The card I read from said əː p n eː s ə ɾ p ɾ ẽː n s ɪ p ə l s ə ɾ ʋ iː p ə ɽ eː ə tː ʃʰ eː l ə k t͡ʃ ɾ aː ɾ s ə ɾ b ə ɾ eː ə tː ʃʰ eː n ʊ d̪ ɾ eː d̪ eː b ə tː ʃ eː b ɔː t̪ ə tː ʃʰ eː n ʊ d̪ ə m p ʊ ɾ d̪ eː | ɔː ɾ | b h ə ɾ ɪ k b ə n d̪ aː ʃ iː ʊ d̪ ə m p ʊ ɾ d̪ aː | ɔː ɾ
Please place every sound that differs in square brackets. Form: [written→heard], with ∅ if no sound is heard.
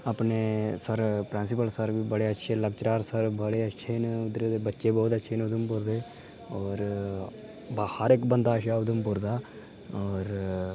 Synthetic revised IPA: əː p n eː s ə ɾ p ɾ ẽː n s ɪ p ə l s ə ɾ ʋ iː [p→b] ə ɽ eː ə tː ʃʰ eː l ə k t͡ʃ ɾ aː ɾ s ə ɾ b ə [ɾ→ɽ] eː ə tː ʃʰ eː n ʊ d̪ ɾ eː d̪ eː b ə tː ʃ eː b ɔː t̪ ə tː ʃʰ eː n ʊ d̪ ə m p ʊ ɾ d̪ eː | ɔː ɾ | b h ə ɾ ɪ k b ə n d̪ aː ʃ [iː→aː] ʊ d̪ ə m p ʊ ɾ d̪ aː | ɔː ɾ